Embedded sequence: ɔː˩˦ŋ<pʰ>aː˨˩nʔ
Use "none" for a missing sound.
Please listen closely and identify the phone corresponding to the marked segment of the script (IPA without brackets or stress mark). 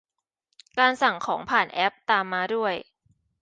pʰ